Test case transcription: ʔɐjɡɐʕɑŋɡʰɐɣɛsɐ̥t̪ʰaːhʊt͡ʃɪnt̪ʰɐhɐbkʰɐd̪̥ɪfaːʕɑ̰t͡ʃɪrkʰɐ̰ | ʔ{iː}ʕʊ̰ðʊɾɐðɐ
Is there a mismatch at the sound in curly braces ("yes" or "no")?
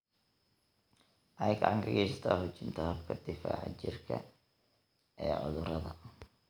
yes